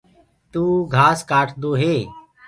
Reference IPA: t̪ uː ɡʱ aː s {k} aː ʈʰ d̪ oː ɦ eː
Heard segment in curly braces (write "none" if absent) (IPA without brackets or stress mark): k